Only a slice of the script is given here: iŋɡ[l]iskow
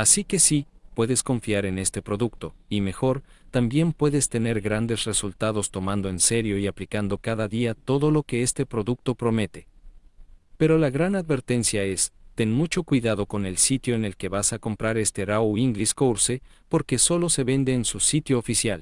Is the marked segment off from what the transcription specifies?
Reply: no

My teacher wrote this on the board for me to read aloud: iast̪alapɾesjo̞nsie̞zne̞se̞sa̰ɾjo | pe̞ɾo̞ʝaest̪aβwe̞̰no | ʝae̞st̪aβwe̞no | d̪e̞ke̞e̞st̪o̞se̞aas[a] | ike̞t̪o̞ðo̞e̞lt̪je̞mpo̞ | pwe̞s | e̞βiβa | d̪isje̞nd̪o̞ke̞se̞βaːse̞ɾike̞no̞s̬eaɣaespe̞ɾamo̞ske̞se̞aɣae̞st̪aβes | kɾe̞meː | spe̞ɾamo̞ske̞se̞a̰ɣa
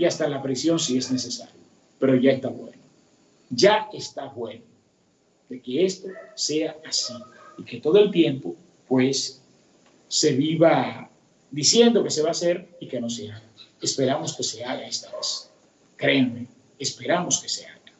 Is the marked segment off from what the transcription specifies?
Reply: yes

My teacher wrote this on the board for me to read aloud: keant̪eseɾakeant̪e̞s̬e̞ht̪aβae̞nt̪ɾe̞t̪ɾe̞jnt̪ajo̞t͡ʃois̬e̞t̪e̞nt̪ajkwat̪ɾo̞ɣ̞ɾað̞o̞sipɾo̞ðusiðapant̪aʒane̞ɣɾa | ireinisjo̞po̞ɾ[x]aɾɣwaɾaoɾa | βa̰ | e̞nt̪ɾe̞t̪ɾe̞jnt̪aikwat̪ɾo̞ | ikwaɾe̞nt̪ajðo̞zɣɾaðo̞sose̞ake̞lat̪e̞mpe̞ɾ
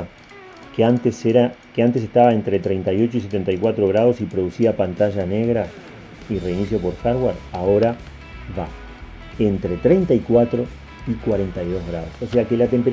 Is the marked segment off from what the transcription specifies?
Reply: no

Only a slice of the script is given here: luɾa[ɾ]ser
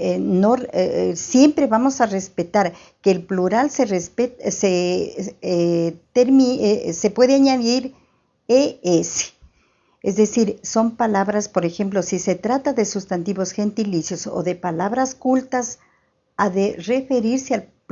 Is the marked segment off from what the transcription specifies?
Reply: yes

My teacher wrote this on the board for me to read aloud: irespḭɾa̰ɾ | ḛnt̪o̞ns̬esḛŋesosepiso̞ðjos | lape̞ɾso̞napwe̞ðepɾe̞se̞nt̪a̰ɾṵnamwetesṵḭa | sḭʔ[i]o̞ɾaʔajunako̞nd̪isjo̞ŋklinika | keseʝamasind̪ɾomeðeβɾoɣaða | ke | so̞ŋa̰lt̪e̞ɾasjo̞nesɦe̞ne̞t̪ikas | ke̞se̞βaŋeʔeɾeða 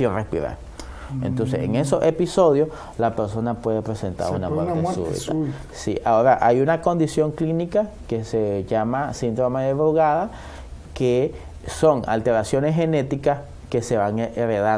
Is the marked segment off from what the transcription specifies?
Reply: yes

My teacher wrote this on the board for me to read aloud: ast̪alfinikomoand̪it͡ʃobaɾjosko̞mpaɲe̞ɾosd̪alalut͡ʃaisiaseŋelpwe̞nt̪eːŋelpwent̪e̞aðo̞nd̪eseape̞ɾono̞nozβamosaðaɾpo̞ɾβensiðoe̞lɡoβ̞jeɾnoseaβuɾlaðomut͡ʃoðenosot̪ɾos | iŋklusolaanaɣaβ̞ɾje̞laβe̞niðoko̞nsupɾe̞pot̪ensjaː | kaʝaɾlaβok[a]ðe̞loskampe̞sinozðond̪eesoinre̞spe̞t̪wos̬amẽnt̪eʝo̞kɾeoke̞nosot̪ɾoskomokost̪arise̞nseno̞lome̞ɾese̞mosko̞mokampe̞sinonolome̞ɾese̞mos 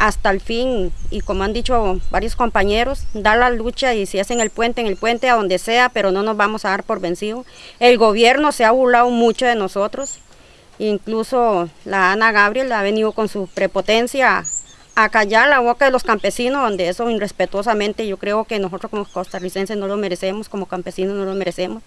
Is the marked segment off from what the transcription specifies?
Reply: no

